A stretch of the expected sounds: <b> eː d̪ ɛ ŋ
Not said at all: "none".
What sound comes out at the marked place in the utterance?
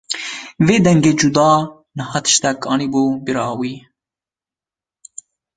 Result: v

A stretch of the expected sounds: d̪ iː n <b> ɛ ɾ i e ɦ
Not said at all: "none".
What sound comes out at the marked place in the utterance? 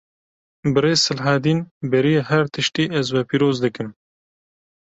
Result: b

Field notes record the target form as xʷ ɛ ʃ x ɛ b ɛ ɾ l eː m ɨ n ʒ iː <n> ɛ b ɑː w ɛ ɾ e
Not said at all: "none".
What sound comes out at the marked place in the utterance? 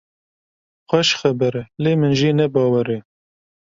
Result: n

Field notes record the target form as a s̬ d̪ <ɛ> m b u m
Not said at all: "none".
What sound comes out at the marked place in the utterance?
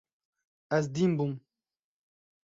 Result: i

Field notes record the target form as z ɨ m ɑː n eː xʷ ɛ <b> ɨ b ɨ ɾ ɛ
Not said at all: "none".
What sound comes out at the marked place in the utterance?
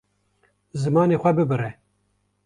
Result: b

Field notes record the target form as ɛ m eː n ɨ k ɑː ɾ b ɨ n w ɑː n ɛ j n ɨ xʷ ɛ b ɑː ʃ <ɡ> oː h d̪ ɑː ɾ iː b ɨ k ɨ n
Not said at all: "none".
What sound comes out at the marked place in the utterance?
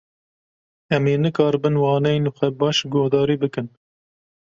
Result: ɡ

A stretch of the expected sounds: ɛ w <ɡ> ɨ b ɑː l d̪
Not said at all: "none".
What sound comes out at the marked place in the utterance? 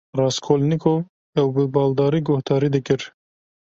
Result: b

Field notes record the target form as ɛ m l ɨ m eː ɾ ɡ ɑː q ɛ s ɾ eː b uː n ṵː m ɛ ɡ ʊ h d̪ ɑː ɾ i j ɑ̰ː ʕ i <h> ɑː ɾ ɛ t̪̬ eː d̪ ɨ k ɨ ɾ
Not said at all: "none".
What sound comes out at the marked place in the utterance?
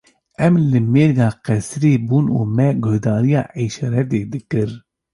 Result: ʃ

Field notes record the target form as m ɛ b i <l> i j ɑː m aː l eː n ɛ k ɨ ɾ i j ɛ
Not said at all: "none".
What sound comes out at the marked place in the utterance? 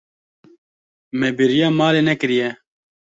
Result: ɾ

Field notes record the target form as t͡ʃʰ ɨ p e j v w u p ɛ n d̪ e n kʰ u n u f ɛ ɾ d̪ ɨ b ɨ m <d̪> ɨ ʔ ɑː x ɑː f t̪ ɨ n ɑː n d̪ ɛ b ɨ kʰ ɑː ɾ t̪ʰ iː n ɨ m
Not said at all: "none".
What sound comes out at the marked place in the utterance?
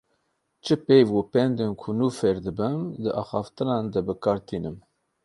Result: d̪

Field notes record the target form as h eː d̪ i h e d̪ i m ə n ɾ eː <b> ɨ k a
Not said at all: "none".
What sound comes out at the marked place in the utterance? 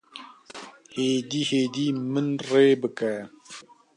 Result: b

